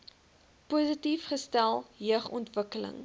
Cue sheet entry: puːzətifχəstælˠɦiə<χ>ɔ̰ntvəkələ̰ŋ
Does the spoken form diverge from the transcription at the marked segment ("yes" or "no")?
no